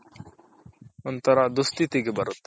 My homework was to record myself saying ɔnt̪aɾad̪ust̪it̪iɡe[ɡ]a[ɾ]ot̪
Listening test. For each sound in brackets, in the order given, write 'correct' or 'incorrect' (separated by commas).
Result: incorrect, correct